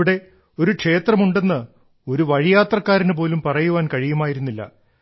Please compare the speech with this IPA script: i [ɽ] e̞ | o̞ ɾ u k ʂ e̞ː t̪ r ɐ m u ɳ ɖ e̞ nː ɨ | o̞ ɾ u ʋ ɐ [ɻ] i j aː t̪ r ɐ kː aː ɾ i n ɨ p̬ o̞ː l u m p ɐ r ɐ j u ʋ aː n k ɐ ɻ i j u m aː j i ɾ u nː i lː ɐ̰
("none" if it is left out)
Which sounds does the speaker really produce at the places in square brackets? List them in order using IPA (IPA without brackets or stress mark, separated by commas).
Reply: ɽ, ɻ